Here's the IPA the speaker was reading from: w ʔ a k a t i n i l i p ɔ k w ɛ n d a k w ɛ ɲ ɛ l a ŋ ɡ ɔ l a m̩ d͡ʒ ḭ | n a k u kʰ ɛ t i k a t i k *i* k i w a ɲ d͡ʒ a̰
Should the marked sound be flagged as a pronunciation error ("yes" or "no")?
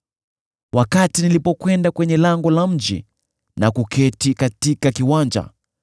yes